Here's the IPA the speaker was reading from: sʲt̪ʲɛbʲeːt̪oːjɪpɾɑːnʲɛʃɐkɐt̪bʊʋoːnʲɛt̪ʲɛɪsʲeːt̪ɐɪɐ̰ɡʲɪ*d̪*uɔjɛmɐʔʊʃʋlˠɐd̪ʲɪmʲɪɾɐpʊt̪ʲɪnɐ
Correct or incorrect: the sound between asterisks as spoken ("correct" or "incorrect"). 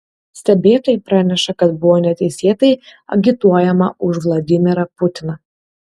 incorrect